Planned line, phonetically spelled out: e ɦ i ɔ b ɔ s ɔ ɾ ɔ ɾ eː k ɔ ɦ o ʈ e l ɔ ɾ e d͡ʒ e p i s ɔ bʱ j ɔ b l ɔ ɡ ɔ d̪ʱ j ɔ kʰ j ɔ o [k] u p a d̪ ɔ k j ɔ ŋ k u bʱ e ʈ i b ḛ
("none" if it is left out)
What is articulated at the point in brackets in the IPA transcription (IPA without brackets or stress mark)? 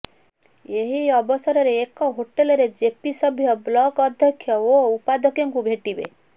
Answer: none